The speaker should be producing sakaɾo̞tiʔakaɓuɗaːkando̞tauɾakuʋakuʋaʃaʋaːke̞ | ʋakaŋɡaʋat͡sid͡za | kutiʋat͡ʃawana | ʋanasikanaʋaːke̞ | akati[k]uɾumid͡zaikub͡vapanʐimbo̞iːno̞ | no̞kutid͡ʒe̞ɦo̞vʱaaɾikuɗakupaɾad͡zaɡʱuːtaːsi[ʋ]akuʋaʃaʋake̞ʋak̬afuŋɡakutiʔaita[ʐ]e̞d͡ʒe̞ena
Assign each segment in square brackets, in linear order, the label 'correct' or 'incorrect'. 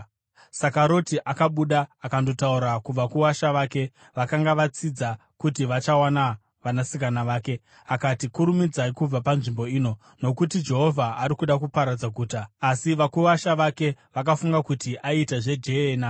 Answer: correct, correct, correct

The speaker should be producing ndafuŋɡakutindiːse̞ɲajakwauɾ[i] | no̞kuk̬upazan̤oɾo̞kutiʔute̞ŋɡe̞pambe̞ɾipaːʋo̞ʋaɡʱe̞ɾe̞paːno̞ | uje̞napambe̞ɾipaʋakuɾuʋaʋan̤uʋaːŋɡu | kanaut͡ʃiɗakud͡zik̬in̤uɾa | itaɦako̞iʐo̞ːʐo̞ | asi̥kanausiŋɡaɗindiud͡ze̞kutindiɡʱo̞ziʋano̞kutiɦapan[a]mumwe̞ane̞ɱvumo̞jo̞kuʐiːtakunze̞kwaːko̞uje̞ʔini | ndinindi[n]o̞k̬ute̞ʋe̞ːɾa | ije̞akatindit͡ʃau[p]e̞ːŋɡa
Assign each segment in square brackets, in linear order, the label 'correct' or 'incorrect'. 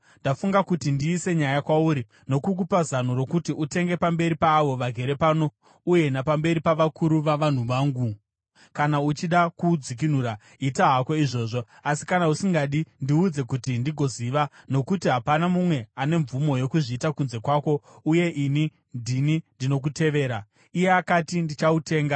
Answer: correct, correct, correct, incorrect

